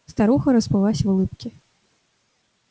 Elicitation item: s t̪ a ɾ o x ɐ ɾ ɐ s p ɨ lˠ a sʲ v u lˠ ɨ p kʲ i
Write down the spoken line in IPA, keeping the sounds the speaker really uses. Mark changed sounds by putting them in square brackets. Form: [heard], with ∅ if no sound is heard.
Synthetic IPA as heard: s t̪ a ɾ [u] x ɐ ɾ ɐ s p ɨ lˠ a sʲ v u lˠ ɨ p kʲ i